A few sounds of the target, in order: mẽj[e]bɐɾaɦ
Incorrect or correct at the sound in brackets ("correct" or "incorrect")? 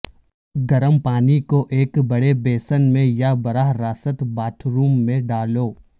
incorrect